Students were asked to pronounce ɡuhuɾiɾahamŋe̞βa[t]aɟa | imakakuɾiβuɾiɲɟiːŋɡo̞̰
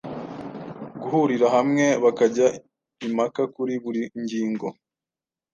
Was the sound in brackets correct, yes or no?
no